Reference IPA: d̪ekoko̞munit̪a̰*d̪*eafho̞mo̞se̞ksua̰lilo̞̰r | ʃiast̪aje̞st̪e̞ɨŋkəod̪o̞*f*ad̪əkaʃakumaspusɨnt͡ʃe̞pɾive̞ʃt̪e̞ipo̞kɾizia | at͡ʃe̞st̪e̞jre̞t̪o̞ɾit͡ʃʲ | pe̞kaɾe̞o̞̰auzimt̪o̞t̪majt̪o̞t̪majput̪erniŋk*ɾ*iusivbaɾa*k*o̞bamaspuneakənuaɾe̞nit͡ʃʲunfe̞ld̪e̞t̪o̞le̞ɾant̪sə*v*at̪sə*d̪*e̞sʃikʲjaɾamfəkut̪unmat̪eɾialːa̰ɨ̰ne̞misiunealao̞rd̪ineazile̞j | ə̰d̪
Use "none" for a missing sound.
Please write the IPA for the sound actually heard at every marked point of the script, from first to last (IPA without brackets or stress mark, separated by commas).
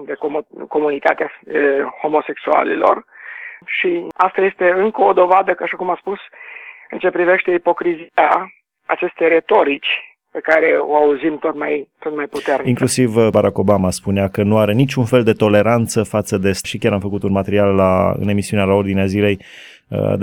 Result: t̪, v, l, k, f, d̪